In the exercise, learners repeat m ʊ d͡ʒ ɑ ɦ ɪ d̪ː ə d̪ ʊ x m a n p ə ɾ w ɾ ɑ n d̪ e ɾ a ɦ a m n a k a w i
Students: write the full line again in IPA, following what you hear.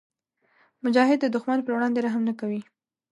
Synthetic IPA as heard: m ʊ d͡ʒ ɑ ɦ ɪ d̪ː ə d̪ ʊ x m a n p ə ɾ w ɽ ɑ n d̪ e ɾ a ɦ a m n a k a w i